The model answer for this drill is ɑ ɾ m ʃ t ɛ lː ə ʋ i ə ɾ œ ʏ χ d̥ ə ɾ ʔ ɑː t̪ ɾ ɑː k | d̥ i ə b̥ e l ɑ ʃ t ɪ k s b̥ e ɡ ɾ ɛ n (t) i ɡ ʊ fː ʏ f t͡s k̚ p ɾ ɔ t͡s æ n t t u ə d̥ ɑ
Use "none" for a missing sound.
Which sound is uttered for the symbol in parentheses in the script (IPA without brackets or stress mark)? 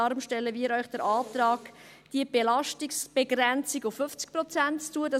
t͡s